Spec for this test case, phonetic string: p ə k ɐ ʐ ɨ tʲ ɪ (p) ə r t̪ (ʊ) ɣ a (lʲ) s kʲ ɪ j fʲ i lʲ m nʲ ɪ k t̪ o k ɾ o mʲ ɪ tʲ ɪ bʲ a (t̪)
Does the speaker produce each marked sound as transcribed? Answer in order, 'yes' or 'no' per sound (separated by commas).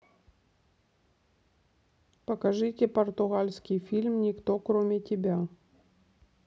yes, yes, yes, no